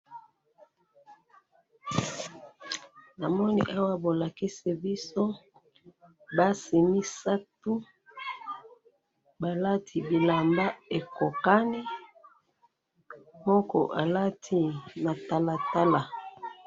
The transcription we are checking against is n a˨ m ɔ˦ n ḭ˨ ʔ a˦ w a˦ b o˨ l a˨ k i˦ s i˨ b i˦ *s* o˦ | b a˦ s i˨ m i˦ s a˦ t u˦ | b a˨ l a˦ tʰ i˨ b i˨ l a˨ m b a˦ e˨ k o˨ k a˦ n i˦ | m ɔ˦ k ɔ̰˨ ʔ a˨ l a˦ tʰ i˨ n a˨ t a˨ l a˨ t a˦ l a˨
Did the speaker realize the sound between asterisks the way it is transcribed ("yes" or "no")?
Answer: yes